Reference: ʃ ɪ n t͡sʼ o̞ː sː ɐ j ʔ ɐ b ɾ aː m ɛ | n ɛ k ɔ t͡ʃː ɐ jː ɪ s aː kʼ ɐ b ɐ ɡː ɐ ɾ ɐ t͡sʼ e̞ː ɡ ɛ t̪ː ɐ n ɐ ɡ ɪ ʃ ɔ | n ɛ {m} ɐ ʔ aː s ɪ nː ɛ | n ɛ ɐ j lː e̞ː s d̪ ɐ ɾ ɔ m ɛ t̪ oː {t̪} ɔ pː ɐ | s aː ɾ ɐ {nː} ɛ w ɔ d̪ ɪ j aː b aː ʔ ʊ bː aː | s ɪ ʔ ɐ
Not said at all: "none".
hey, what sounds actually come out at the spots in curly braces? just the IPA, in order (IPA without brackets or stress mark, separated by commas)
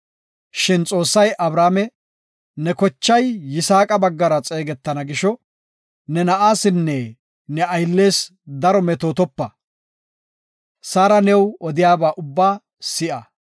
n, t̪, n